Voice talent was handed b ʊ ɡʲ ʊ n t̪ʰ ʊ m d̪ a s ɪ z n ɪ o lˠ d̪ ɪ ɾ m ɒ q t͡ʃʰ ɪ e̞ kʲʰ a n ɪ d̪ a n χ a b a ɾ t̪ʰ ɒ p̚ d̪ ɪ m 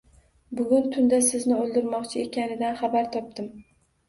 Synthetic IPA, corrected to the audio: b ʊ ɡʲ ʊ n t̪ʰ ʊ n d̪ a s ɪ z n ɪ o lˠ d̪ ɪ ɾ m ɒ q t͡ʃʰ ɪ e̞ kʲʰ a n ɪ d̪ a n χ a b a ɾ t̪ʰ ɒ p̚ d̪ ɪ m